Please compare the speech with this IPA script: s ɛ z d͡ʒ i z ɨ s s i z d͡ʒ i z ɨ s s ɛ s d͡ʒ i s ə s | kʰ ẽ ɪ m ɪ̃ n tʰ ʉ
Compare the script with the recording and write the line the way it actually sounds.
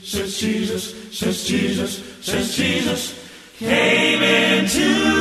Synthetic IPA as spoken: s ɛ z d͡ʒ i z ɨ s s ɛ z d͡ʒ i z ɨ s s ɛ z d͡ʒ i z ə s | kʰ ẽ ɪ m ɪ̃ n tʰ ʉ